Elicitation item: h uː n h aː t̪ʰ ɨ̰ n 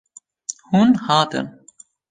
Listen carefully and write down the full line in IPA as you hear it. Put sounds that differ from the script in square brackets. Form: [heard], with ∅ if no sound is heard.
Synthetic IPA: h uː n h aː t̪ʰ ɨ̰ n